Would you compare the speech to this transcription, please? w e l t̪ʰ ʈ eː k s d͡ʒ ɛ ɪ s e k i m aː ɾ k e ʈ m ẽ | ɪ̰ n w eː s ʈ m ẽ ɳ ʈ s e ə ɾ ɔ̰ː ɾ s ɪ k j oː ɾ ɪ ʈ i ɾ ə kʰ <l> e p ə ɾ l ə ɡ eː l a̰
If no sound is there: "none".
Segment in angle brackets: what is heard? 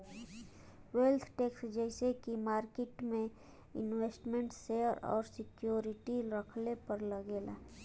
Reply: l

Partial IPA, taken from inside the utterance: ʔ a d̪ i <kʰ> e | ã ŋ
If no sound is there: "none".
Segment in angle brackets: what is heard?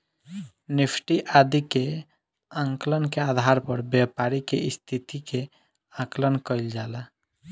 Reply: k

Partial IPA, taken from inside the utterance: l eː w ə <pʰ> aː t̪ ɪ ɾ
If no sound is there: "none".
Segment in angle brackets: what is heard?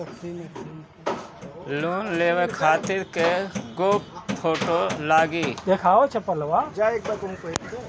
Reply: kʰ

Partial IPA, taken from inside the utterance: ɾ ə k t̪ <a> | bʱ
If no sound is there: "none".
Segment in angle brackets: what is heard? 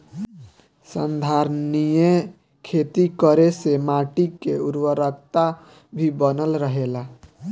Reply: a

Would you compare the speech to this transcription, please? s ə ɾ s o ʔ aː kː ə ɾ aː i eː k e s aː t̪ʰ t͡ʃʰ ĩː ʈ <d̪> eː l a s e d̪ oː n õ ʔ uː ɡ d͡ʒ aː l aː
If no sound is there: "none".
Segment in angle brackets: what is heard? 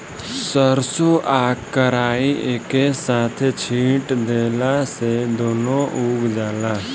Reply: d̪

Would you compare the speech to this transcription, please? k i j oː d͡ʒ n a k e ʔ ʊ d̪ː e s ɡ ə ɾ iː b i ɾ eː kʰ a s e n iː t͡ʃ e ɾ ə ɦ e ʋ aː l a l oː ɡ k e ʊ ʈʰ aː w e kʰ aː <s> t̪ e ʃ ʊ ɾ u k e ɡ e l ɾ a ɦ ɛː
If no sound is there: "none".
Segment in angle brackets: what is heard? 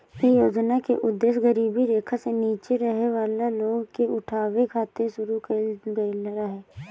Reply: none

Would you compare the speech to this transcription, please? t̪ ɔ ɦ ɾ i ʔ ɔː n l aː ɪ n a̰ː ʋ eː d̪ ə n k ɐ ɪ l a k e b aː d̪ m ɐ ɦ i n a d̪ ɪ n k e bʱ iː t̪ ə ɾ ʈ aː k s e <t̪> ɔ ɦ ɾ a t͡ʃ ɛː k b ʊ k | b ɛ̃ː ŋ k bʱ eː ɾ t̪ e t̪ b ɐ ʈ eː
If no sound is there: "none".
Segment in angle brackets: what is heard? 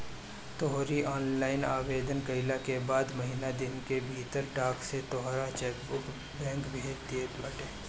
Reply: t̪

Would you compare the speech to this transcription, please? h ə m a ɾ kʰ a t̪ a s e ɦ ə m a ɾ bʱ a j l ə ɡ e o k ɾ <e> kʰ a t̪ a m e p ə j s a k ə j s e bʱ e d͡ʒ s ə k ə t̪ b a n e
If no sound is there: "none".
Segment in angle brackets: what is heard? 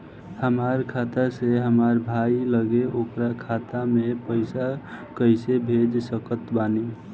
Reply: a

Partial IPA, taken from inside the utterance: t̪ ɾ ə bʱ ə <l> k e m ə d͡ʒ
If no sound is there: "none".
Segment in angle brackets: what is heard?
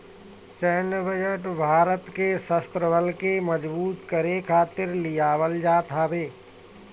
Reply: l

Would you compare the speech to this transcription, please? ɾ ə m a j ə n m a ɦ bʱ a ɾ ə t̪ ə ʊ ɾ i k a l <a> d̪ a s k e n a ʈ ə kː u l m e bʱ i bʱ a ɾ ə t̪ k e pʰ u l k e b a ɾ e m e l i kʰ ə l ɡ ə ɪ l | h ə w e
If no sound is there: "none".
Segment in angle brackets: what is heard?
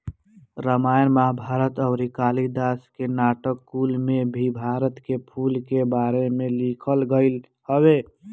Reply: i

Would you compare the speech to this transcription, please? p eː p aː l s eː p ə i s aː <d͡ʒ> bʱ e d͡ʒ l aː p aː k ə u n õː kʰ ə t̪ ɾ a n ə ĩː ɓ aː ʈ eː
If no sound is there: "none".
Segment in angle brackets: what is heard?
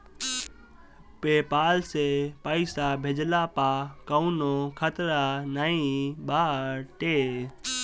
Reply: none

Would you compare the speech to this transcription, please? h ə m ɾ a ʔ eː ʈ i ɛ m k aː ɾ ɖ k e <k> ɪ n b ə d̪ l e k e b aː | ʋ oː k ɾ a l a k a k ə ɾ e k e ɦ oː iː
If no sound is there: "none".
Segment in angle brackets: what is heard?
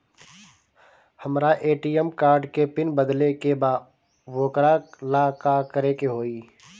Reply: p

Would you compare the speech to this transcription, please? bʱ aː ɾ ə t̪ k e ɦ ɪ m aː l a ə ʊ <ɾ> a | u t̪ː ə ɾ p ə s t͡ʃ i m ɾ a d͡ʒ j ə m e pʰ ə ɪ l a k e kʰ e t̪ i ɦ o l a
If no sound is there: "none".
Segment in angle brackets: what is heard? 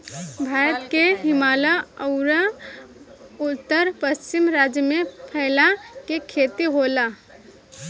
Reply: ɾ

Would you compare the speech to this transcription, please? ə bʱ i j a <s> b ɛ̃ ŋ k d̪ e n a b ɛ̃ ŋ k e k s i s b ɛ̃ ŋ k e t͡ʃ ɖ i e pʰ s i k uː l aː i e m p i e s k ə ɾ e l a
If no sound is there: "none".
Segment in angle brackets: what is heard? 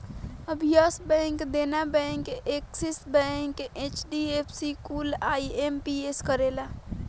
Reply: s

